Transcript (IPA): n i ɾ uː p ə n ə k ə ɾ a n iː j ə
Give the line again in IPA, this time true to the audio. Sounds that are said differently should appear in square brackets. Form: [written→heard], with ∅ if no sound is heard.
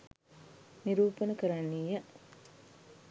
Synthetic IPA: n i ɾ uː p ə n ə k ə ɾ a [n→nː] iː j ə